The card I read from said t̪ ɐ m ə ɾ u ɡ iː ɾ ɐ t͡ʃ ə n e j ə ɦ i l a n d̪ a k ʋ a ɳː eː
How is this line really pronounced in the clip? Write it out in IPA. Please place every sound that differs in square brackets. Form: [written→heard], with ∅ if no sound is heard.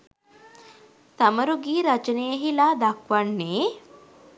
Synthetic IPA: t̪ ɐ m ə ɾ u ɡ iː ɾ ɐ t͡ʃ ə n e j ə ɦ i l a [n→∅] d̪ a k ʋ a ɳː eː